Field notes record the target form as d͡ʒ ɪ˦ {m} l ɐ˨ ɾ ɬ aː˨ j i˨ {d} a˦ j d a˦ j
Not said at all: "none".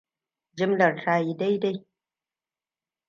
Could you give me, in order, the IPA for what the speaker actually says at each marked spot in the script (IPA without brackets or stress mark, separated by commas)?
m, d